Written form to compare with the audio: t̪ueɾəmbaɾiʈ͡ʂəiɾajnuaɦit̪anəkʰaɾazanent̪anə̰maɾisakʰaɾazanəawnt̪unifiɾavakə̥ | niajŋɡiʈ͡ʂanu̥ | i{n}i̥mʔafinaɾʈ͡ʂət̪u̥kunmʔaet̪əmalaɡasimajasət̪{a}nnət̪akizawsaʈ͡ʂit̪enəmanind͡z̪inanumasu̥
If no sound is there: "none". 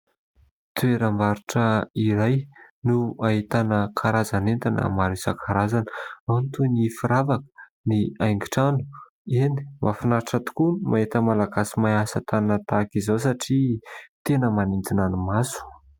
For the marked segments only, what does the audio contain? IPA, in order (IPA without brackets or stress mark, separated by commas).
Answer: n, a